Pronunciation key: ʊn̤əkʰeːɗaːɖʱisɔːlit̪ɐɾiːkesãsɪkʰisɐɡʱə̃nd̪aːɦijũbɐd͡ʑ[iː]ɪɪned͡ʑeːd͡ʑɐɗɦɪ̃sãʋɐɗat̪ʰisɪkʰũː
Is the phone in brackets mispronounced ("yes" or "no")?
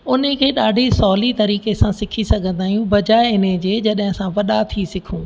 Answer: yes